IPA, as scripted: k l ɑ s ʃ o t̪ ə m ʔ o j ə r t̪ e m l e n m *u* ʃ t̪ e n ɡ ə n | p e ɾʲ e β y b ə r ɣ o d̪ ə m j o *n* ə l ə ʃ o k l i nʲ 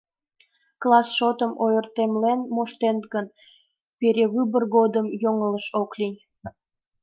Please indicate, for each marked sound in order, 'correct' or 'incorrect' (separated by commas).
incorrect, incorrect